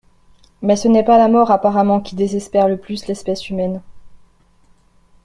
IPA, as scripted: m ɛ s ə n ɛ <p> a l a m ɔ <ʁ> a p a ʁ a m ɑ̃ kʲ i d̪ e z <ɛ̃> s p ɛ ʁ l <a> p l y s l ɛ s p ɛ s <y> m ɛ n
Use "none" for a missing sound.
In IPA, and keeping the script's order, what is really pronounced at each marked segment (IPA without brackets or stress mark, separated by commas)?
p, ʁ, ɛ, ə, y